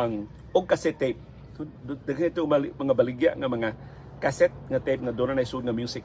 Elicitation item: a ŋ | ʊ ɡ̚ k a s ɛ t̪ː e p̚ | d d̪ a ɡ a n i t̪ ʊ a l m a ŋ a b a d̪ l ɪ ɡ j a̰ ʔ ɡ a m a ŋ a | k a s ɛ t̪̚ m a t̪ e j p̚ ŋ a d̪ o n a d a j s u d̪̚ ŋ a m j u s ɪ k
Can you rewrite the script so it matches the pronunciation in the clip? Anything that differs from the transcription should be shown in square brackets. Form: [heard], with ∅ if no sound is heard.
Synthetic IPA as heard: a ŋ | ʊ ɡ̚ k a s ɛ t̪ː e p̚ | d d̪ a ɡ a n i t̪ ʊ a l m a ŋ a b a [∅] l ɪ ɡ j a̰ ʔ [ŋ] a m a ŋ a | k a s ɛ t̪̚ [ŋ] a t̪ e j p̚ ŋ a d̪ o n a [n] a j s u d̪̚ ŋ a m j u s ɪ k